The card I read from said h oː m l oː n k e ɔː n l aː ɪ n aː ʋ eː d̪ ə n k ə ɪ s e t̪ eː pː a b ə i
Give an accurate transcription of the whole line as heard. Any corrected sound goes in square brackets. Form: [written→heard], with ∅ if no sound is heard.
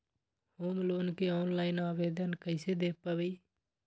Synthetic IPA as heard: h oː m l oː n k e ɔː n l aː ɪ n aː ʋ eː d̪ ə n k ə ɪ s e [t̪→d̪] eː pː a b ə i